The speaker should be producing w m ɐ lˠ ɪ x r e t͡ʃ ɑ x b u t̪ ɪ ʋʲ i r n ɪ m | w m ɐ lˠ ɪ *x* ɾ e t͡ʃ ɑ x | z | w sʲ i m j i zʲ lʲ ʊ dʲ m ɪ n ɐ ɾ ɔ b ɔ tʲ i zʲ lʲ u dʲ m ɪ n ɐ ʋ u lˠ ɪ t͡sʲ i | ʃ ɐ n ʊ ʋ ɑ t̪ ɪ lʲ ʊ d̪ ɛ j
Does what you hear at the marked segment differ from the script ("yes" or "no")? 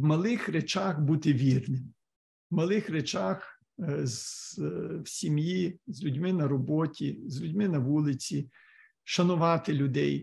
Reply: no